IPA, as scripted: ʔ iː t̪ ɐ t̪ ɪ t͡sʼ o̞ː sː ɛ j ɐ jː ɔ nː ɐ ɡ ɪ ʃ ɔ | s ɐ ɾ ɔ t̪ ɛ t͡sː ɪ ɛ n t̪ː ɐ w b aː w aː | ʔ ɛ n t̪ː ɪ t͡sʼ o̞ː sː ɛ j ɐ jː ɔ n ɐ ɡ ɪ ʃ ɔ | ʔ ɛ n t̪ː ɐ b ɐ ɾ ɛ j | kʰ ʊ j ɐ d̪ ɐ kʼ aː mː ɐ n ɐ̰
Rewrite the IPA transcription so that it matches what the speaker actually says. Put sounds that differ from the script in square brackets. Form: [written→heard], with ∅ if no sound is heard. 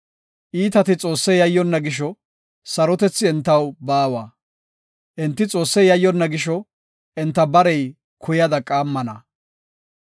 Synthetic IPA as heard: ʔ iː t̪ ɐ t̪ ɪ t͡sʼ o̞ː sː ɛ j ɐ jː ɔ nː ɐ ɡ ɪ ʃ ɔ | s ɐ ɾ ɔ t̪ ɛ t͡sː ɪ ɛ n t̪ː ɐ w b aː w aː | ʔ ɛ n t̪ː ɪ t͡sʼ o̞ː sː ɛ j ɐ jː ɔ [n→nː] ɐ ɡ ɪ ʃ ɔ | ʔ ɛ n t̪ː ɐ b ɐ ɾ ɛ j | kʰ ʊ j ɐ d̪ ɐ kʼ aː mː ɐ n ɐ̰